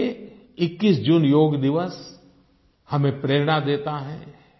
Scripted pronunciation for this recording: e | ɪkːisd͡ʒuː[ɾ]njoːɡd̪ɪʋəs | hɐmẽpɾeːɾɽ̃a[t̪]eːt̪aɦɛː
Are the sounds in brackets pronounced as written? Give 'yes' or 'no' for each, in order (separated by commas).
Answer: no, no